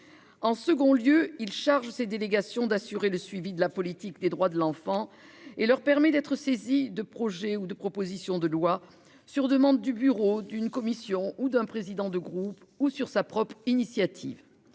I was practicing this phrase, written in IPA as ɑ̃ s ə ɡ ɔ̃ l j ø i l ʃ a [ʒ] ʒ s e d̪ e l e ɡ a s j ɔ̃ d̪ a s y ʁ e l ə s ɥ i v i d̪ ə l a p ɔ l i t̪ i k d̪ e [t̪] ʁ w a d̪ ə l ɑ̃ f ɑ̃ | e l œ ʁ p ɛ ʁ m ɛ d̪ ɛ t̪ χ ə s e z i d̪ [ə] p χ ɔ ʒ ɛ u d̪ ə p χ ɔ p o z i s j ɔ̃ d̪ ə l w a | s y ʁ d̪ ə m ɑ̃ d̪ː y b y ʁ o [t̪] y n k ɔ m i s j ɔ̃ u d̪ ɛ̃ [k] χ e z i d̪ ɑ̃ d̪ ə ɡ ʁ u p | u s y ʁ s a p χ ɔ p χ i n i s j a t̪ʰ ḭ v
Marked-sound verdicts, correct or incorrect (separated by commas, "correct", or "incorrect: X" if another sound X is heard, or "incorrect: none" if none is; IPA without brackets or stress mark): incorrect: ʁ, incorrect: d̪, correct, incorrect: d̪, incorrect: p